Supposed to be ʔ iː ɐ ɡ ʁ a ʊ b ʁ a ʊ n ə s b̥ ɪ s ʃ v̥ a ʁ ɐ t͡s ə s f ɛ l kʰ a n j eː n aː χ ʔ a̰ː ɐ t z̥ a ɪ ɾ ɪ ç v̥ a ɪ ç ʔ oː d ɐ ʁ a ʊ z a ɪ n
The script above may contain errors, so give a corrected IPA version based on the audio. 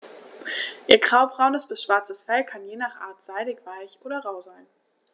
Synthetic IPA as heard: ʔ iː ɐ ɡ ʁ a ʊ b ʁ a ʊ n ə s b̥ ɪ s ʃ v̥ a ɐ t͡s ə s f ɛ l kʰ a n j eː n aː χ ʔ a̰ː ɐ t z̥ a ɪ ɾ ɪ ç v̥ a ɪ ç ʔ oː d ɐ ʁ a ʊ z a ɪ n